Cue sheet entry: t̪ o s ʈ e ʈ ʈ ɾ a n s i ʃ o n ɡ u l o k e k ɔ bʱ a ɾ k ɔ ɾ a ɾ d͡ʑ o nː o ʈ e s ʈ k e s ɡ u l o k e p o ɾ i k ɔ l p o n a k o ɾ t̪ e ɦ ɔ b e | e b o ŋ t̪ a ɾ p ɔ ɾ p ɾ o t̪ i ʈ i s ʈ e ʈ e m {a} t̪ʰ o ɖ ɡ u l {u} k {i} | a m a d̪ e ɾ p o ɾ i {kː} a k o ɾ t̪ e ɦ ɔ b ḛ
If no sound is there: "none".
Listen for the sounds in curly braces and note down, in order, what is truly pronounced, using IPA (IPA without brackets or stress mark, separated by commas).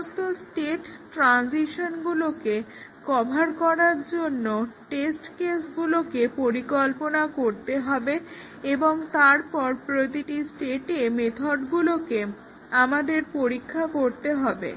e, o, e, kʰː